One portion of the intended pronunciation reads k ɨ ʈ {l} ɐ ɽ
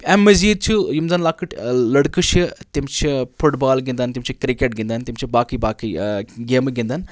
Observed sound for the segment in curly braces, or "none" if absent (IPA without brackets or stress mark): l